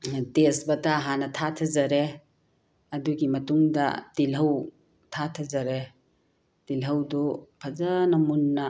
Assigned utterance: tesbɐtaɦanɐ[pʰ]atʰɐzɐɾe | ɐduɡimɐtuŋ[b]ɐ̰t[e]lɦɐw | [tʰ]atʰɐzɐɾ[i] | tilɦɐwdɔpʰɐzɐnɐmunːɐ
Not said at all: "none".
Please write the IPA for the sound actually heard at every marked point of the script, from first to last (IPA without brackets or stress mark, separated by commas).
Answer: tʰ, d, i, tʰ, e